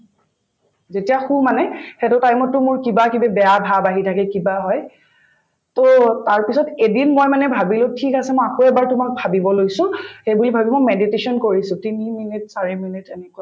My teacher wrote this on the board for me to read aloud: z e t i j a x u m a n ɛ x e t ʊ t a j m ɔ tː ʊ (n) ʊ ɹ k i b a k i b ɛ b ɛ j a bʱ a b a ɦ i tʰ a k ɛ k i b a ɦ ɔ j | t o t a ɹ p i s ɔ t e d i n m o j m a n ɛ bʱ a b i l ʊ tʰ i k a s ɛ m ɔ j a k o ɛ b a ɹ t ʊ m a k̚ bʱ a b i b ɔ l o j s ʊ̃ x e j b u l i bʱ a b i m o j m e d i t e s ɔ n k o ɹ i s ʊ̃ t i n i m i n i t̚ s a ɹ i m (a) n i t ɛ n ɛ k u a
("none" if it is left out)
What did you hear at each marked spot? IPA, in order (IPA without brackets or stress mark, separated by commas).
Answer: m, i